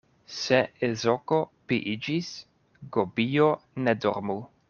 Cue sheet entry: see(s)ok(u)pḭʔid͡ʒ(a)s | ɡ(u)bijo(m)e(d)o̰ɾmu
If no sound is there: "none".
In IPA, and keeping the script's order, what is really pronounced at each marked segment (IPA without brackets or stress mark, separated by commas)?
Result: z, o, i, o, n, d